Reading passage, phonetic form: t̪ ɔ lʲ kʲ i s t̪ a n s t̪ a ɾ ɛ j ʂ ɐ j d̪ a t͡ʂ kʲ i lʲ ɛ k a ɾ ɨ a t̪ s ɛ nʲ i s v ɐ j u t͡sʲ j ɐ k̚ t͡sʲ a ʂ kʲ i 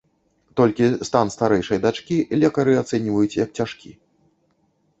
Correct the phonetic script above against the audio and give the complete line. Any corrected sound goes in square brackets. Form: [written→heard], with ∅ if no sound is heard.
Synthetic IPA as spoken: t̪ ɔ lʲ kʲ i s t̪ a n s t̪ a ɾ ɛ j ʂ ɐ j d̪ a t͡ʂ kʲ i lʲ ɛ k [a→ɐ] ɾ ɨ a t̪ s ɛ nʲ i [s→∅] v ɐ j u t͡sʲ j ɐ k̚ t͡sʲ a ʂ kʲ i